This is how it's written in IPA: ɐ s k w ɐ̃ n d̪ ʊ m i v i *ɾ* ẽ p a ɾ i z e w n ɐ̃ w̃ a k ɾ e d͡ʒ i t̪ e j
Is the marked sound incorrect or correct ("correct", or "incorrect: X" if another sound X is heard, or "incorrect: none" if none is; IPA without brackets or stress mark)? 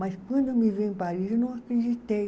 incorrect: none